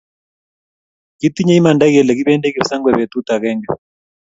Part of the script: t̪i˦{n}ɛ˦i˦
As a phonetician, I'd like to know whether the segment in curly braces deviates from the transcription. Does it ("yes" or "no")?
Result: yes